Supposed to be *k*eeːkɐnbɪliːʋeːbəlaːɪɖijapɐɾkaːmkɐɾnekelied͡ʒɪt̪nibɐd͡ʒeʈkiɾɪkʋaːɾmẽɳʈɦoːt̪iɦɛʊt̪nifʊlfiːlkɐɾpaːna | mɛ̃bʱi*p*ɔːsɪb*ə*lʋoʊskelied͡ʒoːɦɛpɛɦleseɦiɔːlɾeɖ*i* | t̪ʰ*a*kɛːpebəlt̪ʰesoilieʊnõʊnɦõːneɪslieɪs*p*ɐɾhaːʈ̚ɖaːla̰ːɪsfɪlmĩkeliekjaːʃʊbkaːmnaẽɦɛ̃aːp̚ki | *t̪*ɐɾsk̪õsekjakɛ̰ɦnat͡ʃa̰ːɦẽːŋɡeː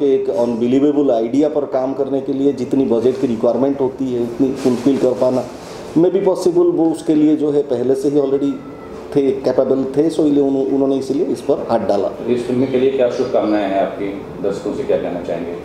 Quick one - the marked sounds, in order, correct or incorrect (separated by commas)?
correct, correct, correct, correct, incorrect, correct, incorrect